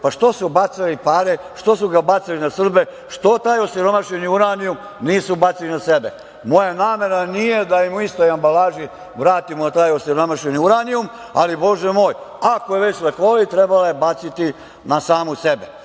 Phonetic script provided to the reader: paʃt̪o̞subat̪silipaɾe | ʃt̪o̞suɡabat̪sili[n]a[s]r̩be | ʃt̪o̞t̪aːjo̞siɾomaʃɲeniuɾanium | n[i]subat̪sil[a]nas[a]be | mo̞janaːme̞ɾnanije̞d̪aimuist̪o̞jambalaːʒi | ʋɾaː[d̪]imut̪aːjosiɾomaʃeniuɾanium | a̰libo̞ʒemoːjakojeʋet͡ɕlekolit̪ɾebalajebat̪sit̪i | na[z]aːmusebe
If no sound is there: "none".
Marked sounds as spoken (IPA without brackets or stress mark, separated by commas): n, s, iː, i, e, t̪, s